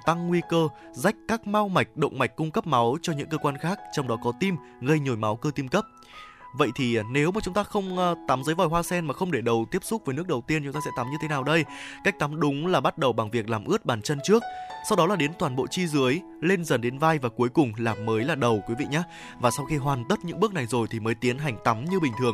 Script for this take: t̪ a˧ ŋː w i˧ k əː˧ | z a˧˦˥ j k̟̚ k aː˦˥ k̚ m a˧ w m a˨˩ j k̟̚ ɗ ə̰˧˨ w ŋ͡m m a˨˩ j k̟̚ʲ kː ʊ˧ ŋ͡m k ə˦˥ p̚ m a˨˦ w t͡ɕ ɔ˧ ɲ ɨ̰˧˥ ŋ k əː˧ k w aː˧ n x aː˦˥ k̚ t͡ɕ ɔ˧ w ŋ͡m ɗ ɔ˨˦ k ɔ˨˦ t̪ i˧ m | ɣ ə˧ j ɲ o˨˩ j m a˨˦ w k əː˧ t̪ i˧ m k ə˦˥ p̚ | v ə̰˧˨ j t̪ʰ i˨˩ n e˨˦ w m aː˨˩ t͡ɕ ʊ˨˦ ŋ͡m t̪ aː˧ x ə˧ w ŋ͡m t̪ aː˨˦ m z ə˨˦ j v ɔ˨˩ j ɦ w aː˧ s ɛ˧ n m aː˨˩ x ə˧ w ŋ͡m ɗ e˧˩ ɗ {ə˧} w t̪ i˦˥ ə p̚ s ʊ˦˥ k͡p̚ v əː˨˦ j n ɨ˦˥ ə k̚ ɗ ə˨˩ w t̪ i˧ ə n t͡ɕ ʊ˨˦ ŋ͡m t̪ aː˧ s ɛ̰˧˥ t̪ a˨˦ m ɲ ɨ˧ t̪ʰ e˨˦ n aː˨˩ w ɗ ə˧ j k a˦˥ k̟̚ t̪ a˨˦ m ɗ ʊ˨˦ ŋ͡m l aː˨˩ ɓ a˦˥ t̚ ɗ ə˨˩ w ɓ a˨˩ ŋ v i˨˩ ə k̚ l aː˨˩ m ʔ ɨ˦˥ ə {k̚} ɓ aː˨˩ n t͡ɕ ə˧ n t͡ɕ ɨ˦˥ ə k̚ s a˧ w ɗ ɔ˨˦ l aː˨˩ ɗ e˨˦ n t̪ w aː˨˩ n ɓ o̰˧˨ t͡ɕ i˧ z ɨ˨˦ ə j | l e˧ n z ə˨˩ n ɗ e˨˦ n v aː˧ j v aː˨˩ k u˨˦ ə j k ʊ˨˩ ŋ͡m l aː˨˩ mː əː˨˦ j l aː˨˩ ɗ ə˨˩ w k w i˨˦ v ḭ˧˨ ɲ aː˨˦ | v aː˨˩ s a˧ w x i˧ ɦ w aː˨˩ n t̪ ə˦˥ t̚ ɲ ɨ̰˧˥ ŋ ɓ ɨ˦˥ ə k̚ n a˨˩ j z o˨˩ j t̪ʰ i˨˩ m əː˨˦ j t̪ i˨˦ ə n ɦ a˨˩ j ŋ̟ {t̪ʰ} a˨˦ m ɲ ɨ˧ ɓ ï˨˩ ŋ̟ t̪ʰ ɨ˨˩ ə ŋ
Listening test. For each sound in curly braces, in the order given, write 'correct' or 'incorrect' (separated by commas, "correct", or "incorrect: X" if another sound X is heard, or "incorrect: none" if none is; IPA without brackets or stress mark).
incorrect: ə˨˩, incorrect: t̚, incorrect: t̪